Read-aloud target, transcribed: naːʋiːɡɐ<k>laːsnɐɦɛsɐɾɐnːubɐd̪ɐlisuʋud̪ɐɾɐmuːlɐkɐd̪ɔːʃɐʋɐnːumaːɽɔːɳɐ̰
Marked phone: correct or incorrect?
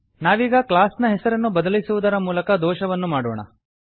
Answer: correct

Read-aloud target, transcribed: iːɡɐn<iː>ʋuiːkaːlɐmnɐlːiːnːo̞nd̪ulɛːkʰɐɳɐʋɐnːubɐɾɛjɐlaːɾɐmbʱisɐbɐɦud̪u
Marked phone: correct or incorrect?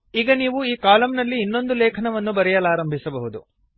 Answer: correct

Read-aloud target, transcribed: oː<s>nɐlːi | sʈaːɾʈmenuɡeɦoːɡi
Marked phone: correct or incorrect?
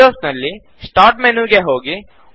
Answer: correct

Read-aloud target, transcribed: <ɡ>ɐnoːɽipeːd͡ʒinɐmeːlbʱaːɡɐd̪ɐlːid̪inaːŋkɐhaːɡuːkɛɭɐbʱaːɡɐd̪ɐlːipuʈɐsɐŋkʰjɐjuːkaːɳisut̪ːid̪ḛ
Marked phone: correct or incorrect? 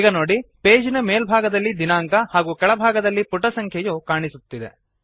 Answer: correct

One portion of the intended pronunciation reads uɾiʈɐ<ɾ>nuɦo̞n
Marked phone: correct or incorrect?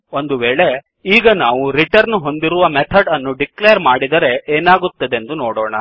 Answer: correct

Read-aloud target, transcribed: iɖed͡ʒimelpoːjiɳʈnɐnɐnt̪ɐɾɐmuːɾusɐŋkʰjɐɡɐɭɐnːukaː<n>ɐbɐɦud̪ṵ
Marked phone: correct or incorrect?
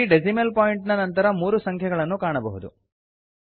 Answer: incorrect: ɳ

